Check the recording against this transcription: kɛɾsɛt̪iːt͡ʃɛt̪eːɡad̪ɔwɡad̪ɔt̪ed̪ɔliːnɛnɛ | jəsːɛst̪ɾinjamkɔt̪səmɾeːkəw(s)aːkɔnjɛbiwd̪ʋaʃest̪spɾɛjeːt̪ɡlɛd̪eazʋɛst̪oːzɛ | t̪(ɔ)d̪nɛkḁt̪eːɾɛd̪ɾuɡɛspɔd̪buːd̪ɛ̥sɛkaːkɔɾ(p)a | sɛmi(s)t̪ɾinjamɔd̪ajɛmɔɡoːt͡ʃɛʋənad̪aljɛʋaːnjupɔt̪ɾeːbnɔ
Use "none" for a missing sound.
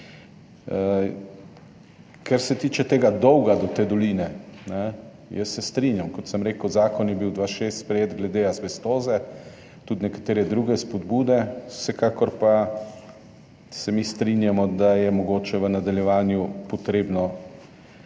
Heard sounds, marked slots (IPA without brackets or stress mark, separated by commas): z, u, p, s